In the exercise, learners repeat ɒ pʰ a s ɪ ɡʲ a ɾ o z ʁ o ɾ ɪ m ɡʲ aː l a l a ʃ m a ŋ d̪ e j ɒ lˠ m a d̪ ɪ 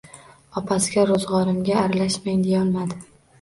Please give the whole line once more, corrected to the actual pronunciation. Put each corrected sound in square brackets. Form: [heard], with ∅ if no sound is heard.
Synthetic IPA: ɒ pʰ a s ɪ ɡʲ a ɾ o z ʁ [ɒ] ɾ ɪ m ɡʲ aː [ɾ] a l a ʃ m a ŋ d̪ e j ɒ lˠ m a d̪ ɪ

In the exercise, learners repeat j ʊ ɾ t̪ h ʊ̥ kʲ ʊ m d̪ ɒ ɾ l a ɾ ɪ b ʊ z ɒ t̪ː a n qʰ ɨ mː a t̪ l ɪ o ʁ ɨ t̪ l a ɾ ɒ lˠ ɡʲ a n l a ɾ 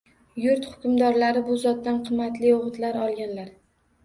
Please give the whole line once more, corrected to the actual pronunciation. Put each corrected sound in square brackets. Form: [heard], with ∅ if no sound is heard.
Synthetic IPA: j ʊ ɾ t̪ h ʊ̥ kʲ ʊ m d̪ ɒ ɾ l a ɾ ɪ b ʊ z ɒ t̪ː a n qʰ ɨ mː a t̪ l ɪ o ʁ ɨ t̪ l a ɾ ɒ lˠ ɡʲ a n l a ɾ

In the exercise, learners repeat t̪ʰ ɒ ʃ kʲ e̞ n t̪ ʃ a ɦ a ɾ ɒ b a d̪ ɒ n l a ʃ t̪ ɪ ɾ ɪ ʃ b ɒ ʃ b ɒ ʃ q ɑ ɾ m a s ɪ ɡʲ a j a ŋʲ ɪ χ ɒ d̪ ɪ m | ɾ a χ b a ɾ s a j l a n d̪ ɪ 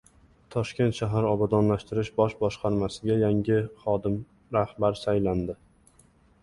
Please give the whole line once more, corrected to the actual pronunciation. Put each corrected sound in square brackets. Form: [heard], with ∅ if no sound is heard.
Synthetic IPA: t̪ʰ ɒ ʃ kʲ e̞ n t̪ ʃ a ɦ a ɾ ɒ b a d̪ ɒ n l a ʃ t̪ ɪ ɾ ɪ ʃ b ɒ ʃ b ɒ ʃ q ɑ ɾ m a s ɪ ɡʲ a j a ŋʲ ɪ χ ɒ d̪ ɪ m | ɾ a [h] b a ɾ s a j l a n d̪ ɪ

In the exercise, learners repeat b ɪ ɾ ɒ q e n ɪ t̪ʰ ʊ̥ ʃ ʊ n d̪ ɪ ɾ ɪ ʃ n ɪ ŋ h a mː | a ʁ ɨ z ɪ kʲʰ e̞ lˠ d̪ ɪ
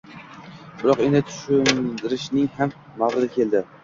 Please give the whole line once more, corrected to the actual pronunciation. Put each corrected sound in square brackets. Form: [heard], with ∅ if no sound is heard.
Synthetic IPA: b ɪ ɾ ɒ q e n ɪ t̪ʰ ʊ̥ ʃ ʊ n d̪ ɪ ɾ ɪ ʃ n ɪ ŋ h a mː | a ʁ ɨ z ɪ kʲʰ e̞ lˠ d̪ ɪ

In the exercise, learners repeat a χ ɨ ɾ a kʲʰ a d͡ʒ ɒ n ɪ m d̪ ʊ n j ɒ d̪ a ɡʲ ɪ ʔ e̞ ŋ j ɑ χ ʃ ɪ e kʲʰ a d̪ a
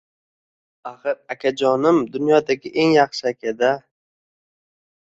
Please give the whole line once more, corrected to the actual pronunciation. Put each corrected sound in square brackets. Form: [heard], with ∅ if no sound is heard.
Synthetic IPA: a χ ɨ ɾ a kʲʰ a d͡ʒ ɒ n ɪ m d̪ ʊ n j ɒ d̪ a ɡʲ ɪ ʔ e̞ ŋ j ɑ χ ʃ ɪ [a] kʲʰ a d̪ a

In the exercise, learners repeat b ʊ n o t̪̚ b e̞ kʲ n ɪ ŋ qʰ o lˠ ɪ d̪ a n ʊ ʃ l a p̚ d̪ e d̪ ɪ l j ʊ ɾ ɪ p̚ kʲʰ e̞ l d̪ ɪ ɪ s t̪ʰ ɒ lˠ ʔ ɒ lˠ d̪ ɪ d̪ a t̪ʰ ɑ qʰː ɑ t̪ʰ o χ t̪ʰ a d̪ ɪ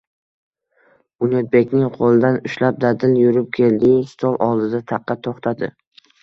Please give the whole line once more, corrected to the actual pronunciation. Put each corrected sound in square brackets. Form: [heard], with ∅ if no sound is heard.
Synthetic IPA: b ʊ n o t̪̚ b e̞ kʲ n ɪ ŋ qʰ o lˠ ɪ d̪ a n ʊ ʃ l a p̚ d̪ [a] d̪ ɪ l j ʊ ɾ ɪ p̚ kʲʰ e̞ l d̪ ɪ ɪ s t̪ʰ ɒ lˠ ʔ ɒ lˠ d̪ ɪ d̪ a t̪ʰ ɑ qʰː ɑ t̪ʰ o χ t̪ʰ a d̪ ɪ

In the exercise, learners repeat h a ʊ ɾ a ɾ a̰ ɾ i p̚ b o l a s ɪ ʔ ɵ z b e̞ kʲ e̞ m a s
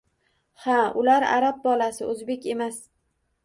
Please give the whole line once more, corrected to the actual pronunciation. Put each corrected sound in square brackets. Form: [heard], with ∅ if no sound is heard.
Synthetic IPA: h a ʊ [l] a ɾ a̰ ɾ [a] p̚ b [ɒ] l a s ɪ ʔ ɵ z b e̞ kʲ e̞ m a s

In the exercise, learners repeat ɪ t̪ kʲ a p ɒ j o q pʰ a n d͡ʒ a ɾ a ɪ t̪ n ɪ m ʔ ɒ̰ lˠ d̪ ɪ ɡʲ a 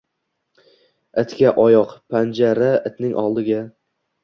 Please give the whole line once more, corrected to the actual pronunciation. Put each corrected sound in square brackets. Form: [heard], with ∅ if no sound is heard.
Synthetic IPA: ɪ t̪ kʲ a [ʔ] ɒ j [ɒ] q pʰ a n d͡ʒ a ɾ a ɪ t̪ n ɪ [ŋ] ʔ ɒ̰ lˠ d̪ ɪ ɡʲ a

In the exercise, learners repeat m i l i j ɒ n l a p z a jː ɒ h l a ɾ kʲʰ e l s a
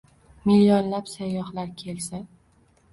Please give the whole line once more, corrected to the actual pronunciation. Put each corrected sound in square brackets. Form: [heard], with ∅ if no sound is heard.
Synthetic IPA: m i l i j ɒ n l a p [s] a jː ɒ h l a ɾ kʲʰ e l s a

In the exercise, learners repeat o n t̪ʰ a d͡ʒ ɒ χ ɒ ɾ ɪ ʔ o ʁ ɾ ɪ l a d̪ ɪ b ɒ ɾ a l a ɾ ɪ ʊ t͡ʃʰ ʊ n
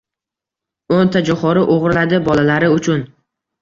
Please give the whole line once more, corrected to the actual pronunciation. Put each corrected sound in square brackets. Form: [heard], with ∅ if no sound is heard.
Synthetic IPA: o n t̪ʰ a d͡ʒ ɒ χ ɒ ɾ ɪ ʔ o ʁ ɾ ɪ l a d̪ ɪ b ɒ [l] a l a ɾ ɪ ʊ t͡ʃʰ ʊ n

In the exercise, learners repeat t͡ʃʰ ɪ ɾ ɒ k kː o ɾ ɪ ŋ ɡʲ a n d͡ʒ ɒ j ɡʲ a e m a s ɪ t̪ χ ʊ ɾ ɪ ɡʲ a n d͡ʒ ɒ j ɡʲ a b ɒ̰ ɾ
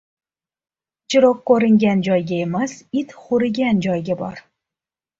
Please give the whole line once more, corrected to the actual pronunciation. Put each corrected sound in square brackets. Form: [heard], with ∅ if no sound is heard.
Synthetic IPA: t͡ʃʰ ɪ ɾ ɒ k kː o ɾ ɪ ŋ ɡʲ a n d͡ʒ ɒ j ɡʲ a e m a s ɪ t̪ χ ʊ ɾ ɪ ɡʲ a n d͡ʒ ɒ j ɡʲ a b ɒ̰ ɾ

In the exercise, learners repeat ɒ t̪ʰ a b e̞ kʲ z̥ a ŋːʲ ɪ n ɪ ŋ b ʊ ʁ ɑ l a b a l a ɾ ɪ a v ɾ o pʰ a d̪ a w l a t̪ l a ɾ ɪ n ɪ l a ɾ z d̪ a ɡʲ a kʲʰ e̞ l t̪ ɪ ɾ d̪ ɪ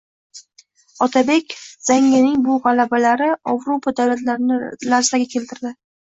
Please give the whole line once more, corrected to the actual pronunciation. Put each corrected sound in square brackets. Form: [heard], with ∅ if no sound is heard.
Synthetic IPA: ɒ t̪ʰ a b e̞ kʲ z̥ a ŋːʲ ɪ n ɪ ŋ b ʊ ʁ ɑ l a b a l a ɾ ɪ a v ɾ o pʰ a d̪ a w l a t̪ l a ɾ ɪ n ɪ l a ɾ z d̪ a ɡʲ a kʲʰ e̞ l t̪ ɪ ɾ d̪ ɪ

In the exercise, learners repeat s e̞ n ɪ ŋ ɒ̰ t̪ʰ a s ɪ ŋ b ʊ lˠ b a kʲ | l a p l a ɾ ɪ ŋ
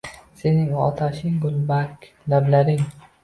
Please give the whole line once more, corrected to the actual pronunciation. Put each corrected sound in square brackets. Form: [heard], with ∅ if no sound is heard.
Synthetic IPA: s e̞ n ɪ ŋ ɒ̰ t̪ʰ a [ʃ] ɪ ŋ [ɡ] ʊ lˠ b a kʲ | l a [b] l a ɾ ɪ ŋ

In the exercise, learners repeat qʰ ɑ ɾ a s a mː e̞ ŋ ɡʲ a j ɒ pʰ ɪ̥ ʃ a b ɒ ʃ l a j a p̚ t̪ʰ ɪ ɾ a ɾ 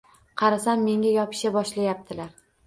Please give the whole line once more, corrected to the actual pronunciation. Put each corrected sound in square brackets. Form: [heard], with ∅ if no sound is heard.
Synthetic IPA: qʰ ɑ ɾ a s a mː e̞ ŋ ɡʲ a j ɒ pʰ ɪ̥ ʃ a b ɒ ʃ l a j a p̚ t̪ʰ ɪ [l] a ɾ

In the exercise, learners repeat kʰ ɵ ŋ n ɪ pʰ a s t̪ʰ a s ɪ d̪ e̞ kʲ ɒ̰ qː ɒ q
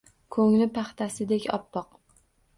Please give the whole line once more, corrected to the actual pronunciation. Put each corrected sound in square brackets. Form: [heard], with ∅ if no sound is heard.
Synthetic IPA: kʰ ɵ ŋ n ɪ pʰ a [χ] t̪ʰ a s ɪ d̪ e̞ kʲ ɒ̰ [pː] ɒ q

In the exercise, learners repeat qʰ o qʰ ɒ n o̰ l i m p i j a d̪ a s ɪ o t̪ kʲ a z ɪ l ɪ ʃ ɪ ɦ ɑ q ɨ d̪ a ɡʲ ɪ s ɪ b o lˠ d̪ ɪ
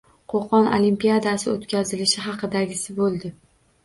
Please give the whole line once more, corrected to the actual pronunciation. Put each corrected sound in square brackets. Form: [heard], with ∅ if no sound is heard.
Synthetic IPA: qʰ o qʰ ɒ n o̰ l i m p i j a d̪ a s ɪ o t̪ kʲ a z ɪ l ɪ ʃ ɪ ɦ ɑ q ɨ d̪ a ɡʲ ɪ s ɪ b o lˠ d̪ ɪ

